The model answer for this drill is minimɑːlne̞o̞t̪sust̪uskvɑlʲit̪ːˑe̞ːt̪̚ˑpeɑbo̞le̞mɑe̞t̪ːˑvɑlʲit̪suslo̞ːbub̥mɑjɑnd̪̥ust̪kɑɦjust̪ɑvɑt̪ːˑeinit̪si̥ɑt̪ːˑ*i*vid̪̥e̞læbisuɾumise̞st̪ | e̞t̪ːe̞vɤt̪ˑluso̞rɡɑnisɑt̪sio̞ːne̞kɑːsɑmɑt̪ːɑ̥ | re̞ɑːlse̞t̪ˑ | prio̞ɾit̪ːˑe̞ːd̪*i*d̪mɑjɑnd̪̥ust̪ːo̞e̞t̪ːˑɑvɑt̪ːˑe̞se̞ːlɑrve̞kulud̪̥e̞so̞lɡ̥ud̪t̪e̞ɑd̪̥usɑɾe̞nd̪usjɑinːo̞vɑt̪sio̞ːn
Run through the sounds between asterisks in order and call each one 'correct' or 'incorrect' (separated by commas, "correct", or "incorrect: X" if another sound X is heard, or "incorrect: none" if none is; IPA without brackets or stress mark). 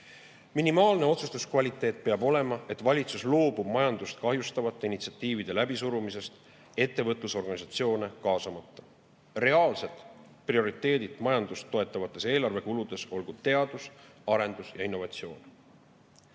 incorrect: iː, correct